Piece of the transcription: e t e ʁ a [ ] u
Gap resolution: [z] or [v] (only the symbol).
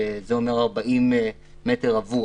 v